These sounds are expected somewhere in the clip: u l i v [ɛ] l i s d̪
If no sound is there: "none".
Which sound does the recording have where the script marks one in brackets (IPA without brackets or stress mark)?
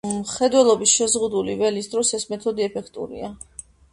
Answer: ɛ